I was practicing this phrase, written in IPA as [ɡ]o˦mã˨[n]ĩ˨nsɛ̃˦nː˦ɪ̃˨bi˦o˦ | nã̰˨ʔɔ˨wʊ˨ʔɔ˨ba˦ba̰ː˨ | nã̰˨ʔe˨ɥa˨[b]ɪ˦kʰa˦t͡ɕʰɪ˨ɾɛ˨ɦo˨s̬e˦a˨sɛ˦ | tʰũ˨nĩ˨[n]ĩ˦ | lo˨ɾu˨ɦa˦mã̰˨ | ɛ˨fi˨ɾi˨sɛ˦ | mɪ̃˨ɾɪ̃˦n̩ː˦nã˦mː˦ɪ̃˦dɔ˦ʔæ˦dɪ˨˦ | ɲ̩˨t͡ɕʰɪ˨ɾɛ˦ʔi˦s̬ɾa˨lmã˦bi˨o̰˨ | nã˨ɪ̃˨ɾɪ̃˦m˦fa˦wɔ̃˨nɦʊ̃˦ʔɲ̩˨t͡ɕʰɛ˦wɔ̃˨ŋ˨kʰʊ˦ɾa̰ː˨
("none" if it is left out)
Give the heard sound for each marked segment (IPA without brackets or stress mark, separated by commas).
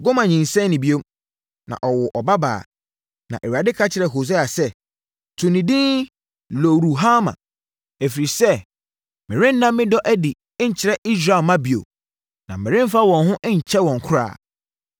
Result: ɡ, ɲ, d, d